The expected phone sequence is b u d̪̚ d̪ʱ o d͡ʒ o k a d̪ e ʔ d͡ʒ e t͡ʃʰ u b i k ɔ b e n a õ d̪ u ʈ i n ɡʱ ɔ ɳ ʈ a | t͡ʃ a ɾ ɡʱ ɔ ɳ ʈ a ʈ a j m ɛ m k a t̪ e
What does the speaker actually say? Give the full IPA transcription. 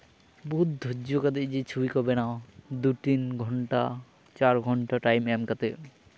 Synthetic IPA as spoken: b u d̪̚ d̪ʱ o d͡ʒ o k a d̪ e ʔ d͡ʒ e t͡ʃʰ u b i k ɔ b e n a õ d̪ u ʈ i n ɡʱ ɔ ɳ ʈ a | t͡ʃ a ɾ ɡʱ ɔ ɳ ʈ a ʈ a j m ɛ m k a t̪ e